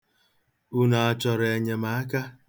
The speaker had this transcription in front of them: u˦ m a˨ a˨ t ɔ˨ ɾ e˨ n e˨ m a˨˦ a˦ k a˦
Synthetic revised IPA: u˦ n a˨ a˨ t͡ʃ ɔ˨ ɾ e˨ ɲ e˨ m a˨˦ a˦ k a˦